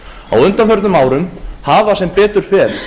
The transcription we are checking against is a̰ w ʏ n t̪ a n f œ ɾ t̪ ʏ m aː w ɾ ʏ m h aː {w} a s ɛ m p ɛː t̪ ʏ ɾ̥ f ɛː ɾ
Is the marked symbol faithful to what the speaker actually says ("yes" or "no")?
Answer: no